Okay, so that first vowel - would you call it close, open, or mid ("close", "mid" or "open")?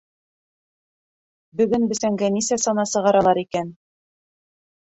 mid